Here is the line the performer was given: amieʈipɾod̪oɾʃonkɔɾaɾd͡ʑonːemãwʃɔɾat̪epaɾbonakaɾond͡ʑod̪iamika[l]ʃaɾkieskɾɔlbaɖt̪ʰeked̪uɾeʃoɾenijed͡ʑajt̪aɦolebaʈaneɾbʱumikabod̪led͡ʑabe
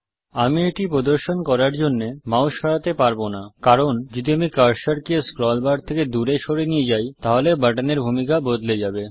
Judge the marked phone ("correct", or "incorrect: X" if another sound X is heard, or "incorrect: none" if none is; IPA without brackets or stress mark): incorrect: ɾ